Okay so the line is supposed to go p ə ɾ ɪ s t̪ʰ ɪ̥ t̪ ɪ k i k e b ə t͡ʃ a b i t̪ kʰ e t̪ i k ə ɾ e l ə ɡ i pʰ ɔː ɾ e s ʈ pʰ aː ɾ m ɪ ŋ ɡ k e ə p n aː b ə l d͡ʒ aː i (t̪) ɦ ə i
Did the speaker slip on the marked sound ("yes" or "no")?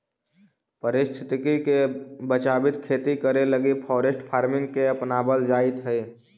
no